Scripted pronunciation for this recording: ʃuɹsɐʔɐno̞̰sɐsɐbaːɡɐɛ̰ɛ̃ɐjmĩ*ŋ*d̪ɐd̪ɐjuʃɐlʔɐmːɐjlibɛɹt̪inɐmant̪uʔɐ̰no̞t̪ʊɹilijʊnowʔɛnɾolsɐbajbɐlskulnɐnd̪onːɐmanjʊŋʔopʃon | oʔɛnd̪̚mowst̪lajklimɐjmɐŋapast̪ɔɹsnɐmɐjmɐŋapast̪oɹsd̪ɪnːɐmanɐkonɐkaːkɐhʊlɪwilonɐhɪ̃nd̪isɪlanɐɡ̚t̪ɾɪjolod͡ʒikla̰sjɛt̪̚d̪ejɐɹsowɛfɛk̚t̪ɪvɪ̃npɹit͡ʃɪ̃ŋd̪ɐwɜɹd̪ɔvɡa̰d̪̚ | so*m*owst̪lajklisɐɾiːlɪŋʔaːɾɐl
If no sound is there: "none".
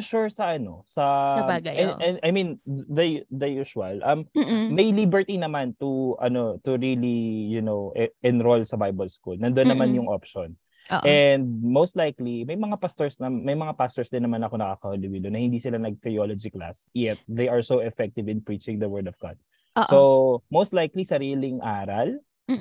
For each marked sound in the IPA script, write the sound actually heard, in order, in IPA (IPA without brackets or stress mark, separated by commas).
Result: n, m